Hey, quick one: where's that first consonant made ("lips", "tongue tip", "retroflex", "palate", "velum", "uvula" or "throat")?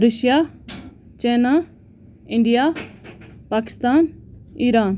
tongue tip